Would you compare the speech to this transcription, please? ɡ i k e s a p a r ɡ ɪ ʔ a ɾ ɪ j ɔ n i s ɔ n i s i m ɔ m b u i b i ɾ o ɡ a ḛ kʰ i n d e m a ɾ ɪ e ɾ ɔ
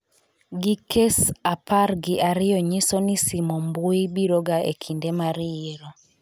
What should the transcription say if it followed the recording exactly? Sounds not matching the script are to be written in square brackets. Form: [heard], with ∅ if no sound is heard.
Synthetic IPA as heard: ɡ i k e s a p a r ɡ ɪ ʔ a ɾ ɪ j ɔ [ɲ] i s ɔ n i s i m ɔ m b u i b i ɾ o ɡ a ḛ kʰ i n d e m a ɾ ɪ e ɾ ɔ